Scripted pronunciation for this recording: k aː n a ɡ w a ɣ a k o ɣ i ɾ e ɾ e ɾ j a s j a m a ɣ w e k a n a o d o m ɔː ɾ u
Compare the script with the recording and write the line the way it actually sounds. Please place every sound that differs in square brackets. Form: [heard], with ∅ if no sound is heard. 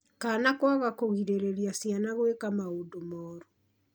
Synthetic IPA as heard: k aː n a [k] w a ɣ a k o ɣ i ɾ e ɾ e ɾ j a s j a [n] a ɣ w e k a [m] a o d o m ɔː ɾ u

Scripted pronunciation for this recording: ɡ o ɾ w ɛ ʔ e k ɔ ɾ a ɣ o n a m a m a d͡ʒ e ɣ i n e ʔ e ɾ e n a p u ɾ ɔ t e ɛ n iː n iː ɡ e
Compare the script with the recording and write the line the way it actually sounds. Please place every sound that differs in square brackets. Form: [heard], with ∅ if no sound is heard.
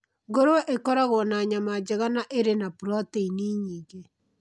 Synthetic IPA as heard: ɡ o ɾ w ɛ ʔ e k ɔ ɾ a ɣ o n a [ɲ] a m a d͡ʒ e ɣ [a] n [a] ʔ e ɾ e n a p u ɾ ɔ t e [i] n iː [ɲ] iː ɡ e

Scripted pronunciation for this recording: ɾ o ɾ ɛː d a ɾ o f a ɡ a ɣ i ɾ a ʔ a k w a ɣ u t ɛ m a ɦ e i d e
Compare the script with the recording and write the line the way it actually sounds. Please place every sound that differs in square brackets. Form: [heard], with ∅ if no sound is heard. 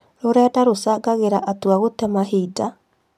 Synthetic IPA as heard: ɾ o ɾ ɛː d a ɾ o [s] a ɡ a ɣ [e] ɾ a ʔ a [t] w a ɣ [o] t ɛ m a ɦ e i d [a]

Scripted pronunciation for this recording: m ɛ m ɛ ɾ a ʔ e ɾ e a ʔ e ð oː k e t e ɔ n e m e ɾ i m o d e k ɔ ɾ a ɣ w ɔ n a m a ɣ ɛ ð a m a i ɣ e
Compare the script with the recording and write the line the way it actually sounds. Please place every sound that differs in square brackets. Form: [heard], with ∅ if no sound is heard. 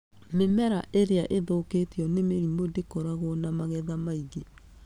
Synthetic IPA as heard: m [e] m ɛ ɾ a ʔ e ɾ e a ʔ e ð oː k e t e ɔ n e m e ɾ i m o d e k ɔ ɾ a ɣ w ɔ n a m a ɣ ɛ ð a m a i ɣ e

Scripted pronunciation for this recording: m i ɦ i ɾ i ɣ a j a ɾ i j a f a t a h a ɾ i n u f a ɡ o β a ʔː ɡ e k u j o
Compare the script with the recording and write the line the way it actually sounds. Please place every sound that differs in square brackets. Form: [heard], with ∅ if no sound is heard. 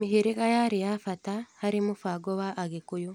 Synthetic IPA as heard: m i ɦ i ɾ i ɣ a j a ɾ i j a f a t a h a ɾ i [m] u f a ɡ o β a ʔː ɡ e k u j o

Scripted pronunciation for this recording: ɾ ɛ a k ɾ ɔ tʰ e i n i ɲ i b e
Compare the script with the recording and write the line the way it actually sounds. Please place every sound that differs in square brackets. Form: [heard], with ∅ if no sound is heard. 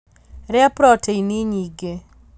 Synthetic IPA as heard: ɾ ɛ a [p] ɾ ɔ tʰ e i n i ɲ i [ɡ] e

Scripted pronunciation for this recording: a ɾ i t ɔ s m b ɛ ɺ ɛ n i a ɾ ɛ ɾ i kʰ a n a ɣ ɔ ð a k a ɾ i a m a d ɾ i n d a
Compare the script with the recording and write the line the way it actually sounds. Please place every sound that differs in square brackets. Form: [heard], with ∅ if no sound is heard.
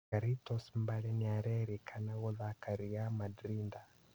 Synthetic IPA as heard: a ɾ i t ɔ s m b [a] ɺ ɛ n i a ɾ ɛ ɾ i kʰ a n a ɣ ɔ ð a k a ɾ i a m a d ɾ i n d a

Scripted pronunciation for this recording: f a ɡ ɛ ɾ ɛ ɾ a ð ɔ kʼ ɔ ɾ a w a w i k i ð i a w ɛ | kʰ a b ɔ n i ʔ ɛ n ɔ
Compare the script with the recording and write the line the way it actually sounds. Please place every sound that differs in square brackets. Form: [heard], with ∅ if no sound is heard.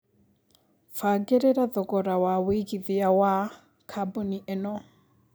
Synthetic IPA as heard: f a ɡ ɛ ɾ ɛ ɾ a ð ɔ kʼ ɔ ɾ a w a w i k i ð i a w [a] | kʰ a b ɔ n i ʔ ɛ n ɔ

